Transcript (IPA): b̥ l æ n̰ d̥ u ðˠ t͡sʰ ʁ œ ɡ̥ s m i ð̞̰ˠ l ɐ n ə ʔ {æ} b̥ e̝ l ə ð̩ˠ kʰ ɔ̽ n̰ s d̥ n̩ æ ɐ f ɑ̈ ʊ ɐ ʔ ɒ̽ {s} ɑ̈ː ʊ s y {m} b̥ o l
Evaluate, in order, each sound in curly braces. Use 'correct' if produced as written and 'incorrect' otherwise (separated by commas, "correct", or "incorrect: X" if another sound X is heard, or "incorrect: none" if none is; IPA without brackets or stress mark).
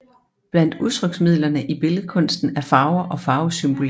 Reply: incorrect: i, incorrect: f, correct